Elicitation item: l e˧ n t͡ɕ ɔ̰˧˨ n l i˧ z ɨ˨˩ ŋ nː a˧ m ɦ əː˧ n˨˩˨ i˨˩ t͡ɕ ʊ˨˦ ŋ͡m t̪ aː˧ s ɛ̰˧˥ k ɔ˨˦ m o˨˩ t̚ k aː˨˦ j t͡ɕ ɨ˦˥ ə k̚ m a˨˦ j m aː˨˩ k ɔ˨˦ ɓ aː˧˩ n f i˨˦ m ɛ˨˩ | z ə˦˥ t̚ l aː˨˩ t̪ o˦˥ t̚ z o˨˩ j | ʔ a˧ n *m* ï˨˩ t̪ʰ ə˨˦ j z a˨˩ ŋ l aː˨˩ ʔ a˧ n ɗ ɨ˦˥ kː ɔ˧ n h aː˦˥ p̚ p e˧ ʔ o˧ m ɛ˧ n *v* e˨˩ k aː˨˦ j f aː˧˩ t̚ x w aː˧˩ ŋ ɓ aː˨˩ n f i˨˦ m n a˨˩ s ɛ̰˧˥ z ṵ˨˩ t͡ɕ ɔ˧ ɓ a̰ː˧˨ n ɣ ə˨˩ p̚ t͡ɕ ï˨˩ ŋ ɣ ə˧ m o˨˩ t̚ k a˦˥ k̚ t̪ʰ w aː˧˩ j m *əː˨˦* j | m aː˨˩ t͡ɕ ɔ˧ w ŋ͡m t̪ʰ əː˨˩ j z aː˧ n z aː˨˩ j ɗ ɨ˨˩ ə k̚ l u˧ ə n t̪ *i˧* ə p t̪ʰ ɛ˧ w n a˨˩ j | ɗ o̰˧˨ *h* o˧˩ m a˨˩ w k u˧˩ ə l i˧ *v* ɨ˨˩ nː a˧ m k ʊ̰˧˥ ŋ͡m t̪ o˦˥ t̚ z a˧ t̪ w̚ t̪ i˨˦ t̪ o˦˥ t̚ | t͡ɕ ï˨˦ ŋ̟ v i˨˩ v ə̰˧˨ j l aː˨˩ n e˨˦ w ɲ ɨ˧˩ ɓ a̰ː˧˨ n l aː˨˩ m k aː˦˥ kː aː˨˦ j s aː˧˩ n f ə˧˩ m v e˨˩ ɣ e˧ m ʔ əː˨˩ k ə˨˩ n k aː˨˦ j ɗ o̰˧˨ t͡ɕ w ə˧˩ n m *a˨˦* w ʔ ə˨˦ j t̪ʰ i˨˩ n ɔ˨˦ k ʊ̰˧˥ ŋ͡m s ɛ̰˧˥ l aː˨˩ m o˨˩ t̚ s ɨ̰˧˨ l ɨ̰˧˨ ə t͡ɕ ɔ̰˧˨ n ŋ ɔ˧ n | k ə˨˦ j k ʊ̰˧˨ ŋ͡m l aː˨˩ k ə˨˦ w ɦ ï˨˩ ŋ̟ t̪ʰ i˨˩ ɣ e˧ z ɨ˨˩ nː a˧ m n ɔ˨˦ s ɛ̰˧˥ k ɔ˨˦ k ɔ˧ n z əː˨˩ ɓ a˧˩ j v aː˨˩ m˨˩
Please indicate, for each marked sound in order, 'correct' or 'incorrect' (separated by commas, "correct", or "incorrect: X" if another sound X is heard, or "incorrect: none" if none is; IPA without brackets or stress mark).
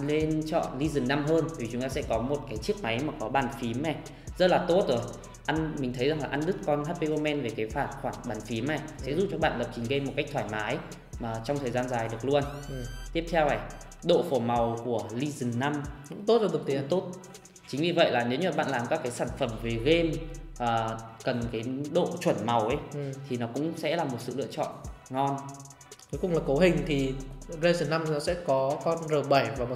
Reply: correct, correct, incorrect: aː˨˦, incorrect: i˦˥, incorrect: f, incorrect: z, incorrect: a˨˩